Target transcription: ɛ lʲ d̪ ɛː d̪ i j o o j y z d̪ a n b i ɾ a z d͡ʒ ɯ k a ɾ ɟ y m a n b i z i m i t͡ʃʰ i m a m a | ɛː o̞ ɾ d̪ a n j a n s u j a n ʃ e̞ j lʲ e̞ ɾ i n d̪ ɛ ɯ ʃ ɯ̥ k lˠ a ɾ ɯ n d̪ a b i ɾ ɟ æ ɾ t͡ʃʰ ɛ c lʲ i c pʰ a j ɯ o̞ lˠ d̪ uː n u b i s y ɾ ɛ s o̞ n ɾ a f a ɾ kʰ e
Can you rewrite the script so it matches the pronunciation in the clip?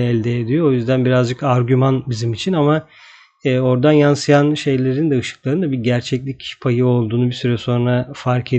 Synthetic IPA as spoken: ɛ lʲ d̪ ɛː d̪ i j o o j y z d̪ æ n b i ɾ a z d͡ʒ ɯ k a ɾ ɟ y m a n b i z i m i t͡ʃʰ i n a m a | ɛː o̞ ɾ d̪ a n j a n s ɯ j a n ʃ e̞ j lʲ e̞ ɾ i n d̪ ɛ ɯ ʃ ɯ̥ k lˠ a ɾ ɯ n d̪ a b i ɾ ɟ æ ɾ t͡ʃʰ ɛ c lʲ i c pʰ a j ɯ o̞ lˠ d̪ uː n u b i s y ɾ ɛ s o̞ n ɾ a f a ɾ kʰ e